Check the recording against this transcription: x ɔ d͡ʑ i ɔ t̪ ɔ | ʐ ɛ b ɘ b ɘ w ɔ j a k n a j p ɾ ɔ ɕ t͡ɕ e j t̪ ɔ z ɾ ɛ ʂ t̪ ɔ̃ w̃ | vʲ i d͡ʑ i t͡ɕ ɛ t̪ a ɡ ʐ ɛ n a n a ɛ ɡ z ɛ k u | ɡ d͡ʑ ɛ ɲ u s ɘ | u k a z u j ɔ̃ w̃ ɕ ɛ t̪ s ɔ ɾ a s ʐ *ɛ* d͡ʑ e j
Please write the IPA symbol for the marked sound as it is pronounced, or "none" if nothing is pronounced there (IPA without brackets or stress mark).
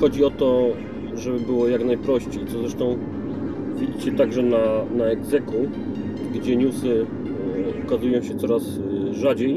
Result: a